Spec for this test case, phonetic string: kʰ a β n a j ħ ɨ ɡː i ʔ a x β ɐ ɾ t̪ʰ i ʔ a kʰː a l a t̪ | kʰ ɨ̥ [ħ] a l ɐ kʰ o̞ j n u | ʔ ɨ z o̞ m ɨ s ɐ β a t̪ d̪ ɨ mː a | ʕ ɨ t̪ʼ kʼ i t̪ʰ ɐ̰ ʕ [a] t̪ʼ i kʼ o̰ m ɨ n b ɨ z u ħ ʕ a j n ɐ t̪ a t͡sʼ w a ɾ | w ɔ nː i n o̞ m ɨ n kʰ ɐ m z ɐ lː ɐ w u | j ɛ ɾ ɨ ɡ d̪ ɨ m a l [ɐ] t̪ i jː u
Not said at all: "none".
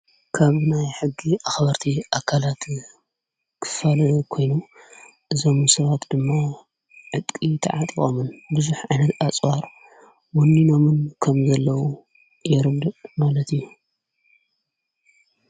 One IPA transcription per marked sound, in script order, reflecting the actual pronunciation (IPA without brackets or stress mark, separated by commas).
f, a, ɐ